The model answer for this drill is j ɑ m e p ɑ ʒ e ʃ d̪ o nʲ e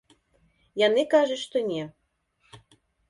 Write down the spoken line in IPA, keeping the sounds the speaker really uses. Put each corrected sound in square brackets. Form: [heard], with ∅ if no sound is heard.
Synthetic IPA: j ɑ [n] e [k] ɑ ʒ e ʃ [t̪] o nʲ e